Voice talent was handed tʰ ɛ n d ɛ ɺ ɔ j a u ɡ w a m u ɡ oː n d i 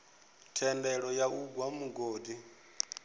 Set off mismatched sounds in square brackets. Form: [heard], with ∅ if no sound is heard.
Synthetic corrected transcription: tʰ ɛ n d ɛ ɺ ɔ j a u ɡ w a m u ɡ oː [∅] d i